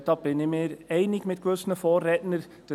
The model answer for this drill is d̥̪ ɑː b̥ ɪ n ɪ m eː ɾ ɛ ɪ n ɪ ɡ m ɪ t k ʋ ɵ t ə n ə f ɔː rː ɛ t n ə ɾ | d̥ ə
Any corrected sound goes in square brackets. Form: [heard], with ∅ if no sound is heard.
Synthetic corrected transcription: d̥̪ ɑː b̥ ɪ n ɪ m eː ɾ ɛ ɪ n ɪ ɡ m ɪ t k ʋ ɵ [s] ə n ə f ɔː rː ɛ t n ə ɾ | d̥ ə